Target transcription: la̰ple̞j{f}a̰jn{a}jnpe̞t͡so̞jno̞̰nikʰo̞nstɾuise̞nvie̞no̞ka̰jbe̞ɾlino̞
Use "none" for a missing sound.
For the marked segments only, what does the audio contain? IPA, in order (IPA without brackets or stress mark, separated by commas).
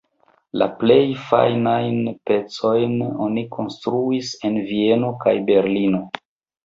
f, a